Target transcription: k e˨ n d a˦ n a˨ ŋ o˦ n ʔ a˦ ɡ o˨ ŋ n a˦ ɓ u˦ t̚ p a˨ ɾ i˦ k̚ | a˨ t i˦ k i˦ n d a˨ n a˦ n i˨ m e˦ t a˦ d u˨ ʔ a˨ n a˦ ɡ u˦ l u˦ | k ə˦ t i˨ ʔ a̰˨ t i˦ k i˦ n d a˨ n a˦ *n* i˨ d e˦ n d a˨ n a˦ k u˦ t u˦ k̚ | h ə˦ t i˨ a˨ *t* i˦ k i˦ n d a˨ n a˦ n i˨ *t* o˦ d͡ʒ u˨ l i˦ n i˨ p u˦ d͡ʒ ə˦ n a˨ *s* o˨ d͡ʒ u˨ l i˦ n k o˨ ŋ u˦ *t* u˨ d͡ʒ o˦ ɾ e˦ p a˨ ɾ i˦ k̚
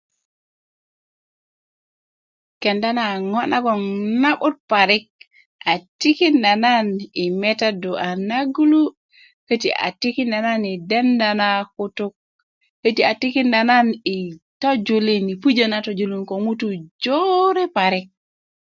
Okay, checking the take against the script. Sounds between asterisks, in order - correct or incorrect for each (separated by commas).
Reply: correct, correct, correct, incorrect, correct